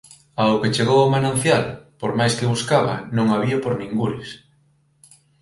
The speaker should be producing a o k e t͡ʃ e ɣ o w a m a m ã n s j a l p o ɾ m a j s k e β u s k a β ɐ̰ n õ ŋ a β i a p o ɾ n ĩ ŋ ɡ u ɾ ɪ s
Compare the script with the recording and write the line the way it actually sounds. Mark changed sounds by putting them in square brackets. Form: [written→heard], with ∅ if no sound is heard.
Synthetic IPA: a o k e t͡ʃ e ɣ o w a m a [m→n] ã n [s→θ] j a l p o ɾ m a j s k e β u s k a β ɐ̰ n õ ŋ a β i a p o ɾ n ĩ ŋ ɡ u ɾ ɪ s